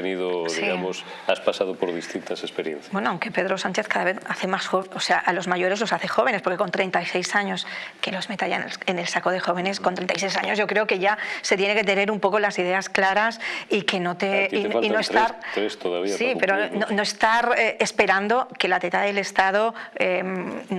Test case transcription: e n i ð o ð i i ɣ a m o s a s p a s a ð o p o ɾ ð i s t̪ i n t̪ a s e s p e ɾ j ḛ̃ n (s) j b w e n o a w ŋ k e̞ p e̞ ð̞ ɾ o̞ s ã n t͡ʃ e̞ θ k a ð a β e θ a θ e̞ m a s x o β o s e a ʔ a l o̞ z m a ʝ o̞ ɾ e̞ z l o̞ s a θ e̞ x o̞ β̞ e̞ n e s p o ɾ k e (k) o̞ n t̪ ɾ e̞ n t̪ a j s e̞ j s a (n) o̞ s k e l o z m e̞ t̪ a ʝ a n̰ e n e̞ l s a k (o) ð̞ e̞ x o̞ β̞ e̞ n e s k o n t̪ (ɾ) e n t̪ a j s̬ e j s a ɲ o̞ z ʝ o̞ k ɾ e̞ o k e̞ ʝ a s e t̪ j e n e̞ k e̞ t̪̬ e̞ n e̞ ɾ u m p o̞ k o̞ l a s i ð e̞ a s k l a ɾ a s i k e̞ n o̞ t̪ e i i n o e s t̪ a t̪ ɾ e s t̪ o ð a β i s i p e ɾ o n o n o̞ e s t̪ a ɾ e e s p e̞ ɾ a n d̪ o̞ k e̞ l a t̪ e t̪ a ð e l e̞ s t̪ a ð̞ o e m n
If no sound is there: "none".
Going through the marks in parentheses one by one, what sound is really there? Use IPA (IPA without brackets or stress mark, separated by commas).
θ, k, ɲ, o, ɾ